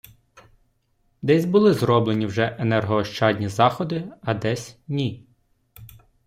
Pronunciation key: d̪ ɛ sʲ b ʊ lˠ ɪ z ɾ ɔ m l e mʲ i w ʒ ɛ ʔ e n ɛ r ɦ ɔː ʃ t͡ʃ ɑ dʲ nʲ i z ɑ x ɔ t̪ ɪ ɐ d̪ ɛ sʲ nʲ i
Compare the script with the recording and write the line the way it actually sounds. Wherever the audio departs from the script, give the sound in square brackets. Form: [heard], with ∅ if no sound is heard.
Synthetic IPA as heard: d̪ ɛ sʲ b ʊ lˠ ɪ z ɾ ɔ [b] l e [nʲ] i w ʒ ɛ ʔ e n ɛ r ɦ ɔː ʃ t͡ʃ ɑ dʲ nʲ i z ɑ x ɔ [d̪] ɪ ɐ d̪ ɛ sʲ nʲ i